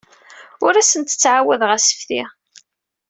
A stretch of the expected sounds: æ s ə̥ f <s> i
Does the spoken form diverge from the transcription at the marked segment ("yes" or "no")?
yes